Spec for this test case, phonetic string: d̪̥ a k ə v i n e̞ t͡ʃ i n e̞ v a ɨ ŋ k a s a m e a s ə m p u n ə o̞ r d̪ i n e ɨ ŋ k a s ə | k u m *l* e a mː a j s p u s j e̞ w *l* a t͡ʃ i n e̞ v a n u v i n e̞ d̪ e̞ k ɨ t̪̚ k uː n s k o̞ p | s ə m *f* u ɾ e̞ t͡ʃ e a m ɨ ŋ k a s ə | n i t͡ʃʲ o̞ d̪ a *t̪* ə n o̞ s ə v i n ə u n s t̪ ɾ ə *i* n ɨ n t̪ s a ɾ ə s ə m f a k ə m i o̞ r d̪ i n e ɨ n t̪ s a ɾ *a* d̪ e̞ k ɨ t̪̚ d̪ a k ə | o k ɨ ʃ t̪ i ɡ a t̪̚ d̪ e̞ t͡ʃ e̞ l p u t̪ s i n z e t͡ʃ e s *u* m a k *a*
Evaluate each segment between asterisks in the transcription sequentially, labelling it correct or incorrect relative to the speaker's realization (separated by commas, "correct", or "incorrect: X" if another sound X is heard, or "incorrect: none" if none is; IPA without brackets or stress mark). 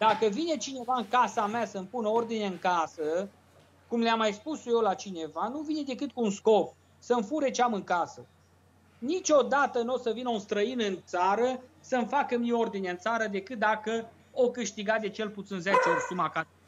correct, correct, correct, correct, correct, incorrect: ə, correct, correct